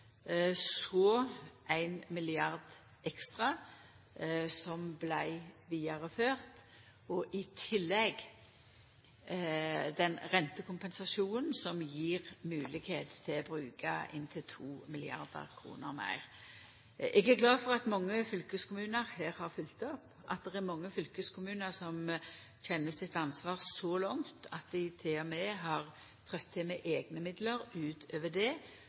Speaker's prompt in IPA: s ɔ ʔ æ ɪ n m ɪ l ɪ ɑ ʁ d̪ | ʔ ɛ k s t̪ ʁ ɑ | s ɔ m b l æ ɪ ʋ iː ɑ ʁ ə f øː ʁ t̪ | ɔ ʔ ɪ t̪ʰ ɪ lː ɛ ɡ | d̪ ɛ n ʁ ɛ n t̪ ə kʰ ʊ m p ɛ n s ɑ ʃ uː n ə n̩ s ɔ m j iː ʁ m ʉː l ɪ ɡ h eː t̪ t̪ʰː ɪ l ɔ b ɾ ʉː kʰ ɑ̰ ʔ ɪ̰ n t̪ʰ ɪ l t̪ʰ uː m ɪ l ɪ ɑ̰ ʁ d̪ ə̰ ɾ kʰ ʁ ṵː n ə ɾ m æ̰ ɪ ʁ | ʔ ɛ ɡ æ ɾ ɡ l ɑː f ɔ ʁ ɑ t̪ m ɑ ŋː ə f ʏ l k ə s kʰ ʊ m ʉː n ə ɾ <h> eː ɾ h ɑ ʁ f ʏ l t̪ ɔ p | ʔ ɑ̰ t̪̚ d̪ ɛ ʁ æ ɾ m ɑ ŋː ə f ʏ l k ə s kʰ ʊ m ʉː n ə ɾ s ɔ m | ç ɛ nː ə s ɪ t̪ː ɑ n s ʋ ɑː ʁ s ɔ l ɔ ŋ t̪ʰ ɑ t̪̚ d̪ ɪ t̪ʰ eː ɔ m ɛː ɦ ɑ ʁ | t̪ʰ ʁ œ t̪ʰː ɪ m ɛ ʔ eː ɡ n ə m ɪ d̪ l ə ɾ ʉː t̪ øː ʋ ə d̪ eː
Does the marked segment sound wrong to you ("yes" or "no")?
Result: no